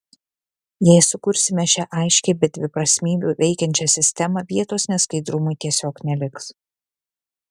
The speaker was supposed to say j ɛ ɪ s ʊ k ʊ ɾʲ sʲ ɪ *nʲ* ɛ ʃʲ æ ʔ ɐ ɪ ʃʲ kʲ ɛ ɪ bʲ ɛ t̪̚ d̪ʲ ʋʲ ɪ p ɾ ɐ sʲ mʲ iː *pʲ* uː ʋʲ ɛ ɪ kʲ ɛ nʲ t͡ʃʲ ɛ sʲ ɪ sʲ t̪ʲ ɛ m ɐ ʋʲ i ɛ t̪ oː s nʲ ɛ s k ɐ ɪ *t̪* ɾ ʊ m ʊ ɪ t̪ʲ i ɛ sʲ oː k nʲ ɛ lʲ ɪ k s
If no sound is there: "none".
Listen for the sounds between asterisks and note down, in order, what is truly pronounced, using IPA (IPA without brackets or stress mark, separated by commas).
mʲ, bʲ, d̪